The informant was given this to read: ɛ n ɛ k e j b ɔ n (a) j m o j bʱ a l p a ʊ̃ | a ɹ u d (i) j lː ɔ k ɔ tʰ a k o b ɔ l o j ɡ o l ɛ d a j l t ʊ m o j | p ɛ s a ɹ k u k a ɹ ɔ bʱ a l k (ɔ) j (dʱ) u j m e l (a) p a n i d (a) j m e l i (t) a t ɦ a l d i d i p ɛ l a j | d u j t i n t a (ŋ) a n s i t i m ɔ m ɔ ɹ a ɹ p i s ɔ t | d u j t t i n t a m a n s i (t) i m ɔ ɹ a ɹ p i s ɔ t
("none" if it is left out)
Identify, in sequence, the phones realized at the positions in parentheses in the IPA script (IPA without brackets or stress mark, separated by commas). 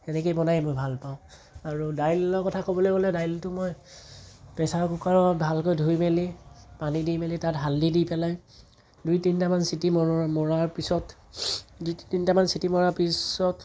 a, a, o, dʱ, i, i, t, m, t